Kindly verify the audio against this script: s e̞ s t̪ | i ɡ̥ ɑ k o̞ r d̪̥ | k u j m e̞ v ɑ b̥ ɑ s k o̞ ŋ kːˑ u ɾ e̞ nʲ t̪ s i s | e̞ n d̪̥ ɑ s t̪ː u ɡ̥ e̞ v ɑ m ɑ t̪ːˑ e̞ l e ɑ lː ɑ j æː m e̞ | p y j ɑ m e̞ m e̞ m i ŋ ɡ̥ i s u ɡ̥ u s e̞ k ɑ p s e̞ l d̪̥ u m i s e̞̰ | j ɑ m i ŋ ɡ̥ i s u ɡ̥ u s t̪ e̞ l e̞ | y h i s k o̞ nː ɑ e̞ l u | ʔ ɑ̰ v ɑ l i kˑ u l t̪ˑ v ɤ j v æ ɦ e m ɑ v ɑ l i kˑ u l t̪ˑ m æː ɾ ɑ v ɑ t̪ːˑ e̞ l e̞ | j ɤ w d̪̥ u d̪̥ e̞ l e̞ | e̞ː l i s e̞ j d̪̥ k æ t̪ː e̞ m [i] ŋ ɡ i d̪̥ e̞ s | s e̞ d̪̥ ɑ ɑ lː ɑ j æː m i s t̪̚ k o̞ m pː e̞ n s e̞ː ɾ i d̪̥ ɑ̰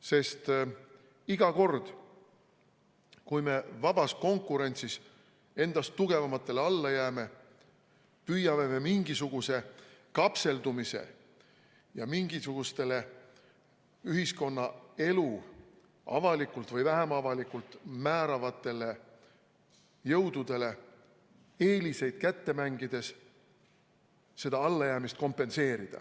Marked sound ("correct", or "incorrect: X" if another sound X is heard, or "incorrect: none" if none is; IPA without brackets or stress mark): incorrect: æ